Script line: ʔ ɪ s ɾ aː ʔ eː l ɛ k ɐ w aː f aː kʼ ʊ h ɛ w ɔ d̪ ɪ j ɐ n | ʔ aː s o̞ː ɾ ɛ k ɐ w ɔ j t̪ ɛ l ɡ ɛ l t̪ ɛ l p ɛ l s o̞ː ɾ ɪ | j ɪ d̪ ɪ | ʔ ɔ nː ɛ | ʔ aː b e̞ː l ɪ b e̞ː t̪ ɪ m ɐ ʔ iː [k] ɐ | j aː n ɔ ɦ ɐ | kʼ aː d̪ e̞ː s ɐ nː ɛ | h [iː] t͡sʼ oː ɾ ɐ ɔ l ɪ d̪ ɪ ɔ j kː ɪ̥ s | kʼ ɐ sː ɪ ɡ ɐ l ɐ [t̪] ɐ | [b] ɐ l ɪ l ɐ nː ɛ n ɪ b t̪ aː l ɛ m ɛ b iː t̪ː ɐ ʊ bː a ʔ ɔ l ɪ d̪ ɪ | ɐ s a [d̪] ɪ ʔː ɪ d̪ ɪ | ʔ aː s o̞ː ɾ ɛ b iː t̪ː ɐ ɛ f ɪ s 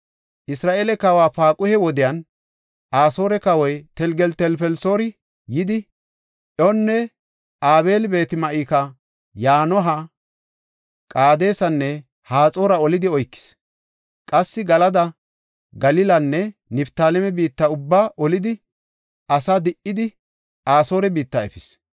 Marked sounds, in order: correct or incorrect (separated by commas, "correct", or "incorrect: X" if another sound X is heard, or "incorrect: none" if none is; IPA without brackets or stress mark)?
correct, incorrect: aː, incorrect: d̪, incorrect: ɡ, correct